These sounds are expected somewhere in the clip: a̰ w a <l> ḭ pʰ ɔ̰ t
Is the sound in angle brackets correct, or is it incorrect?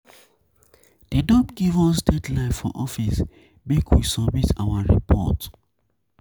incorrect